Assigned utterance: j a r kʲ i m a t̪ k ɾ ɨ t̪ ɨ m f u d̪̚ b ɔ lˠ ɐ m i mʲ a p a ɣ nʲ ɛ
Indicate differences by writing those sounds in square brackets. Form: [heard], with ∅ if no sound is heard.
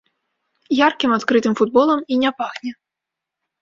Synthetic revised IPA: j a r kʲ i m a t̪ k ɾ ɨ t̪ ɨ m f u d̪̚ b ɔ lˠ ɐ m i [nʲ] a p a ɣ nʲ ɛ